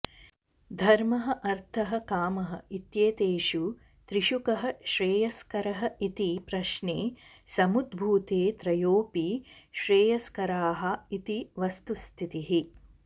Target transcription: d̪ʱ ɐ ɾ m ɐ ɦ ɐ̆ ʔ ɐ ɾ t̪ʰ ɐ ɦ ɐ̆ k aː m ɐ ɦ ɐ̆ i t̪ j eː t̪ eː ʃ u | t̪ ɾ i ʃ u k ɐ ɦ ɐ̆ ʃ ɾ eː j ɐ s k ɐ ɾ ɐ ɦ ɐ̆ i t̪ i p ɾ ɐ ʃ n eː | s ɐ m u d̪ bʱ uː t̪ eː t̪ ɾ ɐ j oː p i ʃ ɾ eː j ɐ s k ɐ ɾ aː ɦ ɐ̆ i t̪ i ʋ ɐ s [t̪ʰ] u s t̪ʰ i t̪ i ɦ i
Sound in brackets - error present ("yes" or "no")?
yes